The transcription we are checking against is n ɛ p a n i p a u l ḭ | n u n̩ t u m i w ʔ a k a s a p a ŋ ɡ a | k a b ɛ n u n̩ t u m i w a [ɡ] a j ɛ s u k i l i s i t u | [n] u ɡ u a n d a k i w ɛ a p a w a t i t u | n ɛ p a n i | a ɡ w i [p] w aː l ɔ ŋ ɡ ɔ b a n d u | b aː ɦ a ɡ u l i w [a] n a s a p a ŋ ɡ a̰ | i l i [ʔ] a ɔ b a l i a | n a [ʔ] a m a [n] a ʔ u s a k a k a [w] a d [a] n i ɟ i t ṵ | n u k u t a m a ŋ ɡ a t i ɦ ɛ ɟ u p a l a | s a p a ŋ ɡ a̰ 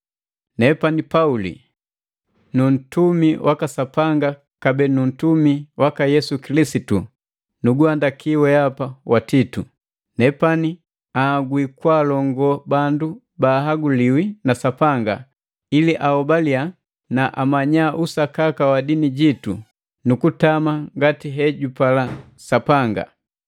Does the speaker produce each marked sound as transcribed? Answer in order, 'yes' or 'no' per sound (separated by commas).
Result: no, yes, no, no, yes, yes, no, yes, no